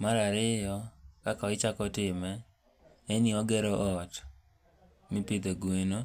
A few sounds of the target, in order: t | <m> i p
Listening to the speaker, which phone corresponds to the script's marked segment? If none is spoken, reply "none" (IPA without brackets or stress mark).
m